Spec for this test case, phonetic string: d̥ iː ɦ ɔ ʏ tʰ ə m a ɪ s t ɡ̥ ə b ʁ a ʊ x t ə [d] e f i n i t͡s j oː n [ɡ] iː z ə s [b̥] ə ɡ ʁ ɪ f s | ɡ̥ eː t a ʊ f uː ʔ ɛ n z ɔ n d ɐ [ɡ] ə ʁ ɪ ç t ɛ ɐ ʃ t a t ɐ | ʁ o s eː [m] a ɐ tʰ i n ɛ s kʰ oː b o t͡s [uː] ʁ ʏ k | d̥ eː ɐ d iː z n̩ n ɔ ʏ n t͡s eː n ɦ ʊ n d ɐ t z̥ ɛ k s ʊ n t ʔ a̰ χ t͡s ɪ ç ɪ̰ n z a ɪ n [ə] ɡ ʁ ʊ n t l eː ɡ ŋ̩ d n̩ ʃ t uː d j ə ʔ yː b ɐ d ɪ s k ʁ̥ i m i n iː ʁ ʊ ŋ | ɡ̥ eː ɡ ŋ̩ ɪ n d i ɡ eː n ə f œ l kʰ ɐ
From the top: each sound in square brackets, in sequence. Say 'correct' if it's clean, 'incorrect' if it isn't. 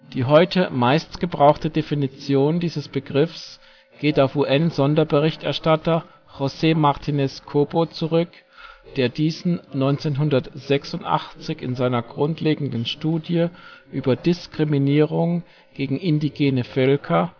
correct, incorrect: d, correct, incorrect: b, correct, incorrect: u, incorrect: ɐ

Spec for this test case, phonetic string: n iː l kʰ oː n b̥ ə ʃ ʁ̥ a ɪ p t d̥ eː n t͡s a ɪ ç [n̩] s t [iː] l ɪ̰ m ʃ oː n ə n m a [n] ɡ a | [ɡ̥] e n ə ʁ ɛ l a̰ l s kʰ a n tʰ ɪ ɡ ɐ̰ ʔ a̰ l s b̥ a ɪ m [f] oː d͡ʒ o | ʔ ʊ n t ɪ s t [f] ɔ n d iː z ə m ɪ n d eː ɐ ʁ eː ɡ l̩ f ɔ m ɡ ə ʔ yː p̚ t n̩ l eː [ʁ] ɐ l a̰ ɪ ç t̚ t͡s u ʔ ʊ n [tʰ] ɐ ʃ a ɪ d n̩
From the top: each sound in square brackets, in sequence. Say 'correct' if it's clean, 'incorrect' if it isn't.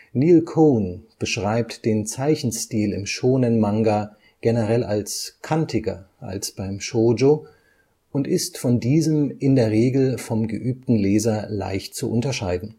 correct, correct, incorrect: ŋ, correct, incorrect: ʃ, correct, incorrect: z, incorrect: t

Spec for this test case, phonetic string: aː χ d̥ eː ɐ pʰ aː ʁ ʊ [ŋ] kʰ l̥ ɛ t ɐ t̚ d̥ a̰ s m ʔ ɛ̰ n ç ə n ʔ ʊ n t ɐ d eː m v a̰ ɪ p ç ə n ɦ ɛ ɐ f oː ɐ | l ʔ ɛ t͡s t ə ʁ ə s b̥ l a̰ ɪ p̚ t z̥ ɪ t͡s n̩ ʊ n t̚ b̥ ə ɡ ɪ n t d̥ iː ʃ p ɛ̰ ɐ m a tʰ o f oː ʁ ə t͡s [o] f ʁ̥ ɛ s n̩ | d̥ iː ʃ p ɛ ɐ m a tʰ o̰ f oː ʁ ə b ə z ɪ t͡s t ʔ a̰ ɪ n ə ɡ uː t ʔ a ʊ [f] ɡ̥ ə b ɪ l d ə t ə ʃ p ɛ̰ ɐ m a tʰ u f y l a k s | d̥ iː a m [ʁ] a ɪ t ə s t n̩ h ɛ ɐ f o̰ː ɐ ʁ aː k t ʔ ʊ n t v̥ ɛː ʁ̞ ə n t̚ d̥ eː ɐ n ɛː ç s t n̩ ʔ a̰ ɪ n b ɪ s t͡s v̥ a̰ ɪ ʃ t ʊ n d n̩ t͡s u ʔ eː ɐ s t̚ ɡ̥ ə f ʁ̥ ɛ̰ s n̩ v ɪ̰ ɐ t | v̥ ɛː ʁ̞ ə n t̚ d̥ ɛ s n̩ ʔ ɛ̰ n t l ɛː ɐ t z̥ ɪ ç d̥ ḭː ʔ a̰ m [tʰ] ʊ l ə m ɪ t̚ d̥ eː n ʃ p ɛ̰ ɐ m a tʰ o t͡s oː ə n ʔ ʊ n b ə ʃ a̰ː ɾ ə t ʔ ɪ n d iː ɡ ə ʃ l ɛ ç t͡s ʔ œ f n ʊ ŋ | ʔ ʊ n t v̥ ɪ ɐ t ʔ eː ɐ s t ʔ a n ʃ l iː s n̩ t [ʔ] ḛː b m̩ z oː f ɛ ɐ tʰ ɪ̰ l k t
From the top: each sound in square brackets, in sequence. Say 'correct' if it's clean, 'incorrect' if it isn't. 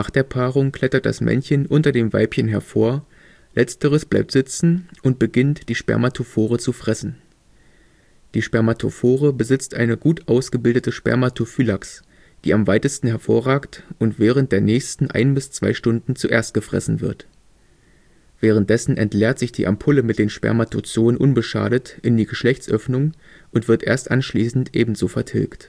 correct, incorrect: u, incorrect: s, incorrect: v, incorrect: pʰ, correct

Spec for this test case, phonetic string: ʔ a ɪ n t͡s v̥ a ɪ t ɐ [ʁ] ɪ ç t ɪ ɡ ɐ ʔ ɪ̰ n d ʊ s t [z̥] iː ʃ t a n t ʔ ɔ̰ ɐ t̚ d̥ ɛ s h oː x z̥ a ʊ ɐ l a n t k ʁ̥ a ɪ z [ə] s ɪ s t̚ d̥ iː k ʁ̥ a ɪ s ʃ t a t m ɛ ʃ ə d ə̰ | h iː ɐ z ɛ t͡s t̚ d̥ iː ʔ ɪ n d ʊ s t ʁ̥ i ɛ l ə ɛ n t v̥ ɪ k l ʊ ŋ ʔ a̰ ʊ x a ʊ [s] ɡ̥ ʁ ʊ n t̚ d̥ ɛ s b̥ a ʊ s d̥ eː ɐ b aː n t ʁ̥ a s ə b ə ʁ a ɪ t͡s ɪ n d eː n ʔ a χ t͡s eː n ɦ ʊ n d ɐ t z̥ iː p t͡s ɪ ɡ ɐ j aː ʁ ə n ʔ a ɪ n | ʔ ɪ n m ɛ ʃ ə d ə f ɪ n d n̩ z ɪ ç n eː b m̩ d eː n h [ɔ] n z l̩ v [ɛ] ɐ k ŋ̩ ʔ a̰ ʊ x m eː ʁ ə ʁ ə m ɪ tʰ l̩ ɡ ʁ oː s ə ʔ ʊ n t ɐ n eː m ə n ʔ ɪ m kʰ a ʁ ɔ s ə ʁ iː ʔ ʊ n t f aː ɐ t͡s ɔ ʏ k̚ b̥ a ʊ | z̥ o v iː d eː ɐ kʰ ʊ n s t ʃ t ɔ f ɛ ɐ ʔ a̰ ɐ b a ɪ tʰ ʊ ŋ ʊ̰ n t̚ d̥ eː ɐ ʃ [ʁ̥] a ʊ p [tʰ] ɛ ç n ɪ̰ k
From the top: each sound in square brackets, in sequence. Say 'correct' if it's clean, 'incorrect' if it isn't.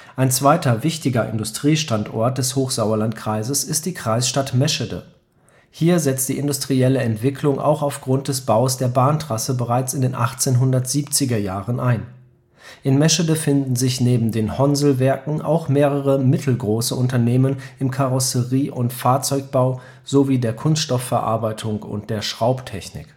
incorrect: v, incorrect: ʁ̥, correct, incorrect: f, correct, correct, correct, correct

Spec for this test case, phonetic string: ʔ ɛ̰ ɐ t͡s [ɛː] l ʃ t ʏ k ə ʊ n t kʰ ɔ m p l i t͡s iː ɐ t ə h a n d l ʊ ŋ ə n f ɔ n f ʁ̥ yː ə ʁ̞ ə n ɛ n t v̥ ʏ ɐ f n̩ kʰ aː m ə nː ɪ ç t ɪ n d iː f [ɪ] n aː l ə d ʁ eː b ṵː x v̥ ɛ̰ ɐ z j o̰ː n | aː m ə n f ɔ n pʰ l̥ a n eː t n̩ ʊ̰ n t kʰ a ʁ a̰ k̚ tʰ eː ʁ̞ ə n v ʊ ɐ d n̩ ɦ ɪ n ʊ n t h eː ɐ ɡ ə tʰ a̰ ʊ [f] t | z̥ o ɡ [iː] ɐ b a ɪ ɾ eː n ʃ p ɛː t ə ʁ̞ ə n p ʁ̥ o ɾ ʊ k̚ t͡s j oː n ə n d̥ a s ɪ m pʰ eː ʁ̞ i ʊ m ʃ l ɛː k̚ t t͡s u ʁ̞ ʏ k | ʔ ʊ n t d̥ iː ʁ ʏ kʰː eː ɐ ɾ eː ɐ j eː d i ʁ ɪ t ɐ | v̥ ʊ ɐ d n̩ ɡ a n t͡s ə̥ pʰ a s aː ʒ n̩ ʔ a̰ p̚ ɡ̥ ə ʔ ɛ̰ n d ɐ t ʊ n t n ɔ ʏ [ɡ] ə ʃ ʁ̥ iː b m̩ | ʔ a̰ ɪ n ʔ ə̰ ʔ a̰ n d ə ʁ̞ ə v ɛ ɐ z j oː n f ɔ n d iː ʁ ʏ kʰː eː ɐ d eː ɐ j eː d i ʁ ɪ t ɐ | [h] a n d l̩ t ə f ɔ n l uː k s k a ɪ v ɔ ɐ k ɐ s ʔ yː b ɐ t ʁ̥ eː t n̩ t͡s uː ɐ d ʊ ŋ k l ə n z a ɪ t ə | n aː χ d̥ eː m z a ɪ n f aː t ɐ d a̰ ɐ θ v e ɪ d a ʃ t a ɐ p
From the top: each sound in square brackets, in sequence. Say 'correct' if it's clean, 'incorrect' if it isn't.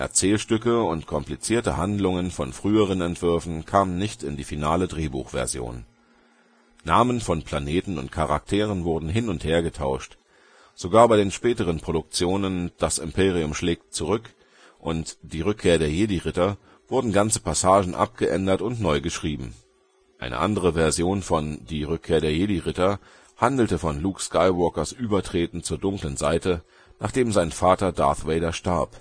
correct, incorrect: i, incorrect: ʃ, incorrect: aː, correct, correct

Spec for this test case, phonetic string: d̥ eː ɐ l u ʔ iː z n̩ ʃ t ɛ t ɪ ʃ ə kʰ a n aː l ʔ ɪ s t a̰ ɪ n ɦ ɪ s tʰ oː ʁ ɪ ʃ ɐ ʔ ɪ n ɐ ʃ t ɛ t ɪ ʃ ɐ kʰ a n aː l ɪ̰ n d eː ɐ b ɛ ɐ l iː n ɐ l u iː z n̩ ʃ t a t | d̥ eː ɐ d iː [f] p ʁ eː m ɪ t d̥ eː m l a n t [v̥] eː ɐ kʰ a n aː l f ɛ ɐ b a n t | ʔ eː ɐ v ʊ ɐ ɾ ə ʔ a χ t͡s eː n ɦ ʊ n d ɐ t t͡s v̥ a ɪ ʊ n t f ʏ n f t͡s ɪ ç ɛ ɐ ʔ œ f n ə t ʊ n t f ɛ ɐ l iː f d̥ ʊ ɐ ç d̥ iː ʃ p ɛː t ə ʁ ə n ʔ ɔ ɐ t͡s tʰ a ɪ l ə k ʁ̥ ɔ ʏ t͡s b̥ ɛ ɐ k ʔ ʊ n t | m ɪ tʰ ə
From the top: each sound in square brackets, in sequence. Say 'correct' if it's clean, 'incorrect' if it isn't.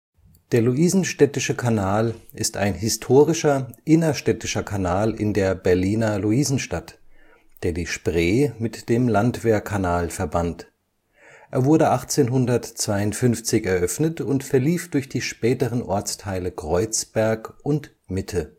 incorrect: ʃ, correct

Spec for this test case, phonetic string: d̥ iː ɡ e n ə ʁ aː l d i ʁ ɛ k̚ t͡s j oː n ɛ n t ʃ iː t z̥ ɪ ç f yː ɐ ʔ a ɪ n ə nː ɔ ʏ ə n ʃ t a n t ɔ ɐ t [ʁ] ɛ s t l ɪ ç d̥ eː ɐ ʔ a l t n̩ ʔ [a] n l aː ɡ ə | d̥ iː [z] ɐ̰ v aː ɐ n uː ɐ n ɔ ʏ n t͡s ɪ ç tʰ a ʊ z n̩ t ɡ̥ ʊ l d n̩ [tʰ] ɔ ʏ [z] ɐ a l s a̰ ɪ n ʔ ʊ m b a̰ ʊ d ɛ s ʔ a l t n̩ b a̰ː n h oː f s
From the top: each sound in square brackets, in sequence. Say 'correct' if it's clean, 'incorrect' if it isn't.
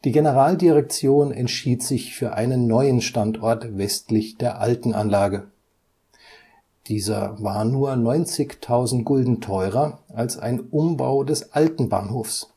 incorrect: v, correct, correct, correct, incorrect: ʁ

